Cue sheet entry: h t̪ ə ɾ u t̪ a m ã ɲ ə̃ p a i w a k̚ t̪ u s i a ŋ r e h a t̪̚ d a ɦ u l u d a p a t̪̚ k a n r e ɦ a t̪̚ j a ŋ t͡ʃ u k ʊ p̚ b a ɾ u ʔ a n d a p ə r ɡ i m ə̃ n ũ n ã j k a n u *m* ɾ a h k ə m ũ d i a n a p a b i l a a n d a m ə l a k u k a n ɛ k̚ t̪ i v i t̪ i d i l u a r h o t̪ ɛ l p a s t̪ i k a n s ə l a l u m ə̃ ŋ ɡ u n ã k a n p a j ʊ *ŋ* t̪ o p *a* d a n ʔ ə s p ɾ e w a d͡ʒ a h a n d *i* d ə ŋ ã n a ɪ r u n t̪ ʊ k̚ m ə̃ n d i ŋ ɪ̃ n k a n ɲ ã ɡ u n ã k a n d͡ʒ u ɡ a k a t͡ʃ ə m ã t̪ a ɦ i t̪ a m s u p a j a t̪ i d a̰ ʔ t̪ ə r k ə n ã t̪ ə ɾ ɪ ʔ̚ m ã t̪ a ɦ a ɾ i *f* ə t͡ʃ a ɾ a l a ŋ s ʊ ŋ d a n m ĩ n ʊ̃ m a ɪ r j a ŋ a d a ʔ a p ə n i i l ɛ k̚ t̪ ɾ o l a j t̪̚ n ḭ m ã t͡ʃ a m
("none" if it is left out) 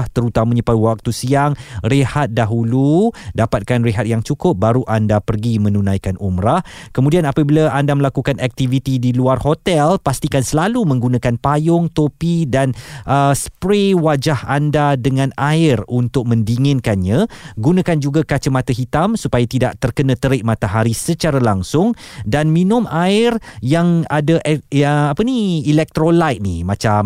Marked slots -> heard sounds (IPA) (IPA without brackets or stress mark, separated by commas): m, ŋ, i, a, s